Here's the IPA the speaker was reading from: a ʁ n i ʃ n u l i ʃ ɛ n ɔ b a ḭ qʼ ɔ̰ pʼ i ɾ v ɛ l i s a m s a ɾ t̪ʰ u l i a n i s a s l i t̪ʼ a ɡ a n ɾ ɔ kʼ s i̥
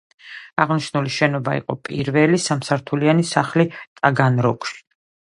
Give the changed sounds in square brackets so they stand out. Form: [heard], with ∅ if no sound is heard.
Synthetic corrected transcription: a ʁ n i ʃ n u l i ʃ ɛ n ɔ b a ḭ qʼ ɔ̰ pʼ i ɾ v ɛ l i s a m s a ɾ t̪ʰ u l i a n i s a [χ] l i t̪ʼ a ɡ a n ɾ ɔ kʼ [ʃ] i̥